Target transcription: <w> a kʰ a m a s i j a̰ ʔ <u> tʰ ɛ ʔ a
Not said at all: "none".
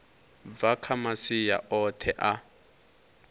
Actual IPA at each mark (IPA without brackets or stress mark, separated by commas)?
v, ɔ